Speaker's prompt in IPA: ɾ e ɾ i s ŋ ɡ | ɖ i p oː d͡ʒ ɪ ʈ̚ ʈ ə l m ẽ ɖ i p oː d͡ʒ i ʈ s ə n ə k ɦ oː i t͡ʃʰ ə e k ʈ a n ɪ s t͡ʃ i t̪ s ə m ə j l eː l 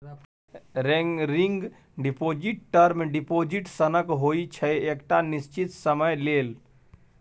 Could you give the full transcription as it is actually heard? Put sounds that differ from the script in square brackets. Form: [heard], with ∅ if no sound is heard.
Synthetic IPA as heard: ɾ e ɾ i [∅] ŋ ɡ | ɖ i p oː d͡ʒ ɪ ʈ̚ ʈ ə [ɾ] m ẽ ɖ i p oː d͡ʒ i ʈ s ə n ə k ɦ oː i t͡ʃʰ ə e k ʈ a n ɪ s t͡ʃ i t̪ s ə m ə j l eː l